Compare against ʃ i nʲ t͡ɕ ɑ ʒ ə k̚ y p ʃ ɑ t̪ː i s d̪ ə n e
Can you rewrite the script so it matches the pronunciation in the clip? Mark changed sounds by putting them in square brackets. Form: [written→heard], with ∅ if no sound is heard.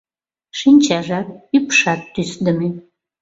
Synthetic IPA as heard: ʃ i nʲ t͡ɕ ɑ ʒ [ə→ɑ] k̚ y p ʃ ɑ t̪ː [i→y] s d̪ ə [n→m] e